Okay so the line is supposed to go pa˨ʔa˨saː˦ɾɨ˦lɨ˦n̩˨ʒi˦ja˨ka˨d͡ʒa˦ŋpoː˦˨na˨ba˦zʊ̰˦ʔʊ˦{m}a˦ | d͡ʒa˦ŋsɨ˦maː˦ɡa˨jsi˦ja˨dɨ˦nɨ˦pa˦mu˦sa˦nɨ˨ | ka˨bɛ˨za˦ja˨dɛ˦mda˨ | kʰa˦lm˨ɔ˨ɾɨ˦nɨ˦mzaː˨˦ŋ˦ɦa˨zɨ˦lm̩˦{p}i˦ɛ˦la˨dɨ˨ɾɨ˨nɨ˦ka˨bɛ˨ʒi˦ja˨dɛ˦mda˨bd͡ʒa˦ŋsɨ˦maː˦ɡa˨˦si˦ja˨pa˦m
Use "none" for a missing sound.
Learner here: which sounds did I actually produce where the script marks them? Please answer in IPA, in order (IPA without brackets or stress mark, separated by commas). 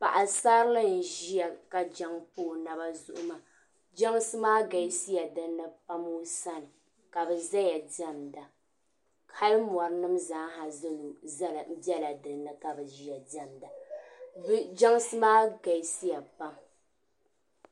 m, b